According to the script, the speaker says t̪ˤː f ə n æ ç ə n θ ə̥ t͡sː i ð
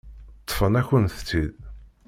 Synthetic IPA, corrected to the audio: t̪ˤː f ə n æ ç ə n θ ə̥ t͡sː i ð